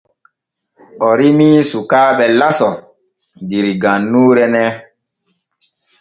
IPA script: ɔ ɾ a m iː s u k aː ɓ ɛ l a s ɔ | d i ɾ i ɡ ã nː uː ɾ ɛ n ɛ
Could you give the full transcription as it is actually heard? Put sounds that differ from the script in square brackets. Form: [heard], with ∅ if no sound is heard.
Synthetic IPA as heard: ɔ ɾ [i] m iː s u k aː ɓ ɛ l a s ɔ | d i ɾ i ɡ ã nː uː ɾ ɛ n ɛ